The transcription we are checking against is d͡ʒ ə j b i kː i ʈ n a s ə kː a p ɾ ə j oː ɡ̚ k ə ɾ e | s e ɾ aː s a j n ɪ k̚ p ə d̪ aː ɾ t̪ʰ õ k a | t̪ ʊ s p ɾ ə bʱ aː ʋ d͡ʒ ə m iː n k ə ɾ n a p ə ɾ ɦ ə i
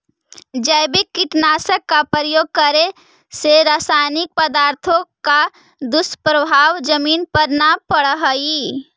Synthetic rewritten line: d͡ʒ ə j b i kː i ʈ n a s ə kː a p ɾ ə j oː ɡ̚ k ə ɾ e | s e ɾ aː s a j n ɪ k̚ p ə d̪ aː ɾ t̪ʰ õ k a | d̪ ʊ s p ɾ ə bʱ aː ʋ d͡ʒ ə m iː n p ə ɾ n a p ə ɽ ɦ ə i